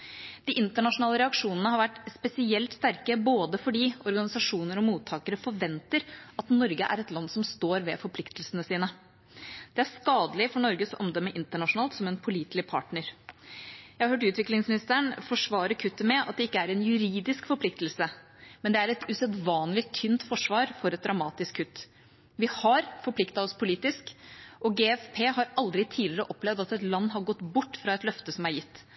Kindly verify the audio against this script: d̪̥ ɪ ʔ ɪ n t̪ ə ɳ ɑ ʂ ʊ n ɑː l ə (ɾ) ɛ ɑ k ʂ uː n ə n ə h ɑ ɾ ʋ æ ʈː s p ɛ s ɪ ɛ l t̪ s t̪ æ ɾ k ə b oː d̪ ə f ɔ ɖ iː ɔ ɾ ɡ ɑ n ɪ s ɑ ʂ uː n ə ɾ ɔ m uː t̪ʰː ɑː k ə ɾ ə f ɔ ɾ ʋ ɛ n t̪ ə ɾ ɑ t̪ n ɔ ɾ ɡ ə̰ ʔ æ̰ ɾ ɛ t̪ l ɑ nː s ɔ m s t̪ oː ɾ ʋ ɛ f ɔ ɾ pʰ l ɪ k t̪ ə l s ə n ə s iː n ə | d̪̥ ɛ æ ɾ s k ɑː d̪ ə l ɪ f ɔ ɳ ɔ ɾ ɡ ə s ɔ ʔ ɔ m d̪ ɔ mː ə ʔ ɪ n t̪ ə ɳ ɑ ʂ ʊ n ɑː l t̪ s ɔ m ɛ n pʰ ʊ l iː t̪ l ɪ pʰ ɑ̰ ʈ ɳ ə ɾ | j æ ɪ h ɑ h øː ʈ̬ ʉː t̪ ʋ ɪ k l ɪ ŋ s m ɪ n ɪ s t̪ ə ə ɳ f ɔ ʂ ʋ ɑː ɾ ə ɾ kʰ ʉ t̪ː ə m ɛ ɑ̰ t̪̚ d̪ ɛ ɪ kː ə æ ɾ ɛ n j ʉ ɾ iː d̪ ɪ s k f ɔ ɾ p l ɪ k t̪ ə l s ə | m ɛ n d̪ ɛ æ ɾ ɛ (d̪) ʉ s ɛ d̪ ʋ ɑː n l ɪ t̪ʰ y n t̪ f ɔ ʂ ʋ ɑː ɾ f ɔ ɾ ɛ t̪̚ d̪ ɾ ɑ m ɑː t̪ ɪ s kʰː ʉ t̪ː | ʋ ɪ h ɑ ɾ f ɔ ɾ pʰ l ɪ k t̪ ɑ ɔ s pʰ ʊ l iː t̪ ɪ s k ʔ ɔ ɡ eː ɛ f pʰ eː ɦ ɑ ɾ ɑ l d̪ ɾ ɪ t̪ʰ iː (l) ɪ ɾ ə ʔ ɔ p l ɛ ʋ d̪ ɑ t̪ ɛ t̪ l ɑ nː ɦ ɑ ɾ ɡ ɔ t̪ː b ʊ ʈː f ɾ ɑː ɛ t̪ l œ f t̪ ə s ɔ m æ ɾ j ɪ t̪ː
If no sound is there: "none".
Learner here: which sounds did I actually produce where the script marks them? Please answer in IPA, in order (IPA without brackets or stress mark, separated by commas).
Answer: ɾ, t̪, l